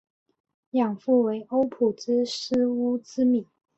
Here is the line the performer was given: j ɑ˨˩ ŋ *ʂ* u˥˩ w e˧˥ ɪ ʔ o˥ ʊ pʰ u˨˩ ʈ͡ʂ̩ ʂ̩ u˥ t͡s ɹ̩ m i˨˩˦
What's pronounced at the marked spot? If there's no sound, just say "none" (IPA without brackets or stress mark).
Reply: f